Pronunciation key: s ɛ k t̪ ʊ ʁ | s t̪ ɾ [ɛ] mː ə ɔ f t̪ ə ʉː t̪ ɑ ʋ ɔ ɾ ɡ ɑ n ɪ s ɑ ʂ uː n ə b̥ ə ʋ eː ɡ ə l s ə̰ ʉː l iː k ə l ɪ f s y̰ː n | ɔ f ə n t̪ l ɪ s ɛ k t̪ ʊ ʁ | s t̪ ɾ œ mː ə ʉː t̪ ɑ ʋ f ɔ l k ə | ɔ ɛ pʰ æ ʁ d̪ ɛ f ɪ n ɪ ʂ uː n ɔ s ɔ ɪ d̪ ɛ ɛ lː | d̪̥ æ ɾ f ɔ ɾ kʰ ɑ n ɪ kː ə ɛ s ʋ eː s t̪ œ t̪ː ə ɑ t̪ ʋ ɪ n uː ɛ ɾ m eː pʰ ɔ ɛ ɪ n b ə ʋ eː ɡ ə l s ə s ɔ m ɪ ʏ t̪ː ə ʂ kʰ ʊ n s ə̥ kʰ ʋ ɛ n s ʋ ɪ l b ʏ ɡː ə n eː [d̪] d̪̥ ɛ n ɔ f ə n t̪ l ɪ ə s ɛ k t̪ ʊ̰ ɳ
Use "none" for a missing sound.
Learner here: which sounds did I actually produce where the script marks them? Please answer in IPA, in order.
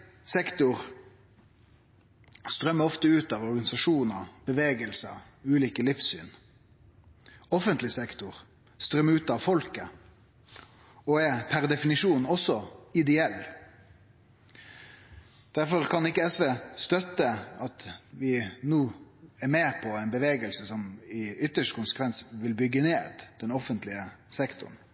œ, d̪

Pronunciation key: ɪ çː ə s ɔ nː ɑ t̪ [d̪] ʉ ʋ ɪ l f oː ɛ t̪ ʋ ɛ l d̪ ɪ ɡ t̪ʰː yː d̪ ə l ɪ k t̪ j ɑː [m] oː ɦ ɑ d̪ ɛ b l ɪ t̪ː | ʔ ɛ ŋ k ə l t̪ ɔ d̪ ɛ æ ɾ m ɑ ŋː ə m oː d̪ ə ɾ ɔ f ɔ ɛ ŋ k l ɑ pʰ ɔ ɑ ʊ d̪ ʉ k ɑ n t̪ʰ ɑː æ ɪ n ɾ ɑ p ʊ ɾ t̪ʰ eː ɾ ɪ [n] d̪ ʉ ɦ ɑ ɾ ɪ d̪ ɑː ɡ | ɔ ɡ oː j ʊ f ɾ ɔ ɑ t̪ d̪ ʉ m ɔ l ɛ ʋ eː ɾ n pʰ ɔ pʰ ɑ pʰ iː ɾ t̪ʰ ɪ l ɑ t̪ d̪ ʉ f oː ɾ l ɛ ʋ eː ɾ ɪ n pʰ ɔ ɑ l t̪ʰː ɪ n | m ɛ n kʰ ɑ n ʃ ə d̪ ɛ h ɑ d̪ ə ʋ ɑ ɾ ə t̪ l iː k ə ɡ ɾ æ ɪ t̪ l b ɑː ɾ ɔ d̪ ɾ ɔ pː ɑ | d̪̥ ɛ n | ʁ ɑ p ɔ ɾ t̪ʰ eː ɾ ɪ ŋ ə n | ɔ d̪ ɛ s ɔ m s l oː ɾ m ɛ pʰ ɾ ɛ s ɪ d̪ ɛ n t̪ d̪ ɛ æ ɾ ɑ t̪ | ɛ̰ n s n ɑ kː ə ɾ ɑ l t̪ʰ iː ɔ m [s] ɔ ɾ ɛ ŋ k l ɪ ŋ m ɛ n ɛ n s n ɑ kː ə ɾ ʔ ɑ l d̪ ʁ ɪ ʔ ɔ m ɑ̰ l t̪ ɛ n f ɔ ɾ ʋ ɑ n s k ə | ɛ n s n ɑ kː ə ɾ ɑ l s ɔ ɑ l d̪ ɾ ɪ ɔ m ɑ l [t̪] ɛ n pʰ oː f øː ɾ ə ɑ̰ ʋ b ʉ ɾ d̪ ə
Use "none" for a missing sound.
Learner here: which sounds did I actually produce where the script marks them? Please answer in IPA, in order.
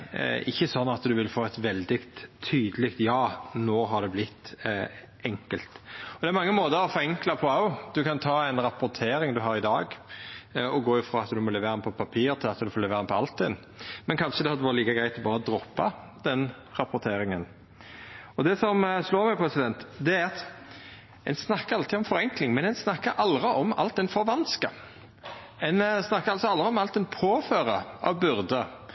d̪, n, ŋ, f, t̪

